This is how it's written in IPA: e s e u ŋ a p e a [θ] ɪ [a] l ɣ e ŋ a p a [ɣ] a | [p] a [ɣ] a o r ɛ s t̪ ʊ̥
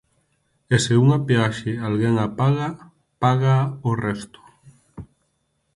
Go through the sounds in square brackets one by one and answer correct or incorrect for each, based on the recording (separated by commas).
incorrect, correct, correct, correct, correct